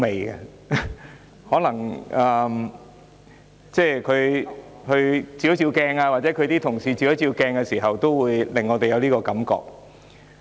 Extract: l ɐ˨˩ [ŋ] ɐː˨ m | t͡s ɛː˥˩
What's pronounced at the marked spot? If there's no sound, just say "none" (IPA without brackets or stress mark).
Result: ŋ